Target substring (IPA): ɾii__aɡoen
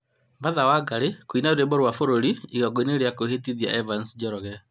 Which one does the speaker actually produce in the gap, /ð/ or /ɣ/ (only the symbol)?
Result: ɣ